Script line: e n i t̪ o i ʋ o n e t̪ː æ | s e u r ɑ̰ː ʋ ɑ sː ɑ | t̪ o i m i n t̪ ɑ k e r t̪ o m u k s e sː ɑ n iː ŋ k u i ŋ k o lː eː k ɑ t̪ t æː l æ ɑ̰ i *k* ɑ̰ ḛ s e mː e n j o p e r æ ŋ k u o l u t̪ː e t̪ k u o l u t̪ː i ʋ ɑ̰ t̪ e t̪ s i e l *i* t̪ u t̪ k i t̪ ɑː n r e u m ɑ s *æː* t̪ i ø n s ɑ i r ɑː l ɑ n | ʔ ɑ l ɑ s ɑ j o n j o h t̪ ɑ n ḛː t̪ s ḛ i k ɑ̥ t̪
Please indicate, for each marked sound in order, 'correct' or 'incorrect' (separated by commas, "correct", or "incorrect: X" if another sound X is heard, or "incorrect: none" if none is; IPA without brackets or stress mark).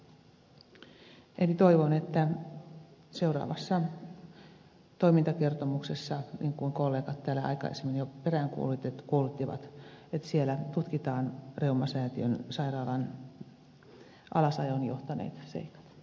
correct, incorrect: æ, correct